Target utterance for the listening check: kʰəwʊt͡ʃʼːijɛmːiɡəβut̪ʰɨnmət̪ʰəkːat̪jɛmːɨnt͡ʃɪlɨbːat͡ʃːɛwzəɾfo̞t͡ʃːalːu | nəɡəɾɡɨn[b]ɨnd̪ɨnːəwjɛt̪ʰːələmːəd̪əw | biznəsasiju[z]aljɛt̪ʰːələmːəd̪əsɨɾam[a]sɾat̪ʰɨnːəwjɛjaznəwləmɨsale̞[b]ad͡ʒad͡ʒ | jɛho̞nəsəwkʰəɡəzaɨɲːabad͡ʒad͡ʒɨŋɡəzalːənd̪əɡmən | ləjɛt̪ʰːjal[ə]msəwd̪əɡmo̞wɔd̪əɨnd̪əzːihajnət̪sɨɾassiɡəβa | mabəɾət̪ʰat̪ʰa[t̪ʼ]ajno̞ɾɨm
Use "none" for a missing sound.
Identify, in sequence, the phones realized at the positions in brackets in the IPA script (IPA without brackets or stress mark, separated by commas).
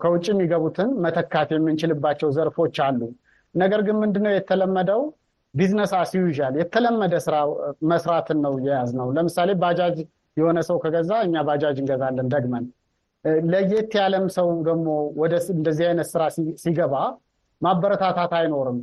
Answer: m, ʒ, ə, b, ə, t̪